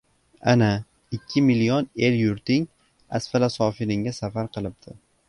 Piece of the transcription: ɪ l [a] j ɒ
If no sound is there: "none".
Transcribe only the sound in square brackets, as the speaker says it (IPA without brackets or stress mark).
i